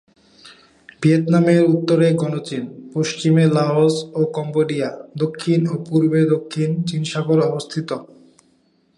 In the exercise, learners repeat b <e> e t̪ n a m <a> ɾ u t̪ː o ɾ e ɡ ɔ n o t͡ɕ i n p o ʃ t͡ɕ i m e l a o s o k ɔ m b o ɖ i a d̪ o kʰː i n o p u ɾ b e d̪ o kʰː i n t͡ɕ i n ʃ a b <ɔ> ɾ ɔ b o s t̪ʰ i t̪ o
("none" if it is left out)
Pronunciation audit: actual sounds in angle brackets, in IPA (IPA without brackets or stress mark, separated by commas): i, e, o